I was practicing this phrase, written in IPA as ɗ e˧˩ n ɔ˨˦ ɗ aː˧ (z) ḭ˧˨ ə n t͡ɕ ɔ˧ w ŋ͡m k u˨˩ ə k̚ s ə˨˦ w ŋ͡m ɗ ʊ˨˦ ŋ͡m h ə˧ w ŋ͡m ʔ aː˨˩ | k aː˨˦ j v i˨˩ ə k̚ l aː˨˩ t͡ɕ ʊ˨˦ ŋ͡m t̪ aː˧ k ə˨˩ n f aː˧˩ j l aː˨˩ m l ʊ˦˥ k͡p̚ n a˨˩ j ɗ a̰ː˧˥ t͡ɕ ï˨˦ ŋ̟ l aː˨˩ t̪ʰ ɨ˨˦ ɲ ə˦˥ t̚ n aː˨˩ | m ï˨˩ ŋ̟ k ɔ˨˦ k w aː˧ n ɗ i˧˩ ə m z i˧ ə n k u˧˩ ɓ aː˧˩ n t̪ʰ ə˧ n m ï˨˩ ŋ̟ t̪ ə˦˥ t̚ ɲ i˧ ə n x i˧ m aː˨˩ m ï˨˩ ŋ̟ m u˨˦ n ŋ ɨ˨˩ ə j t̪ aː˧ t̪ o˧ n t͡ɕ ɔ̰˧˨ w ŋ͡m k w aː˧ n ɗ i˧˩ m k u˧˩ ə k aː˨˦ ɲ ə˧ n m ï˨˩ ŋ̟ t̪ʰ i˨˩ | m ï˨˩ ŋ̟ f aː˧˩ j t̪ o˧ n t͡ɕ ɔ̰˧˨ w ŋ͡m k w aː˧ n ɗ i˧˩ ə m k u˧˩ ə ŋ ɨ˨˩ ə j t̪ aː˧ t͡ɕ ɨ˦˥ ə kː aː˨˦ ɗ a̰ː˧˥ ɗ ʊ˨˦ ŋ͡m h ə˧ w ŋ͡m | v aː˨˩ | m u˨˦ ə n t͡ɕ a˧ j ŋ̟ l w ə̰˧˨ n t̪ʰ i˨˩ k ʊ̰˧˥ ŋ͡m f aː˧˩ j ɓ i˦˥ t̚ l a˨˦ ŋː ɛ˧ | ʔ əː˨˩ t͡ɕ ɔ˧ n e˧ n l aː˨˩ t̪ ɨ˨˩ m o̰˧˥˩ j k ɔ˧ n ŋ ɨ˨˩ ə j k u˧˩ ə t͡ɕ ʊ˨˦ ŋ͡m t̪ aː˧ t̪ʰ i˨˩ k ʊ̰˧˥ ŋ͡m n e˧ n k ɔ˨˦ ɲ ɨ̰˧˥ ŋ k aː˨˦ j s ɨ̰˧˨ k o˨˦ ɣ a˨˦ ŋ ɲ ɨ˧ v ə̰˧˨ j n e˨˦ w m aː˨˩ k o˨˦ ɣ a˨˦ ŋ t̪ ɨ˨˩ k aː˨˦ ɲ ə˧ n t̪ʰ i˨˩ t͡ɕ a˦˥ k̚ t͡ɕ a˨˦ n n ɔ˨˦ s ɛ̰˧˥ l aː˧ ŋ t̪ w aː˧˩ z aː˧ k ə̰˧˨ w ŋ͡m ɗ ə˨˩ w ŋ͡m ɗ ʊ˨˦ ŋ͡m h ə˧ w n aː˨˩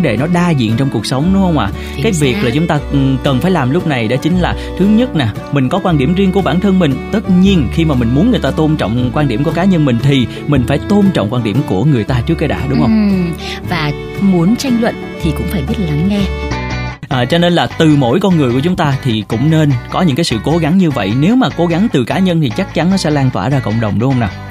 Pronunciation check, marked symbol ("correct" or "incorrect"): correct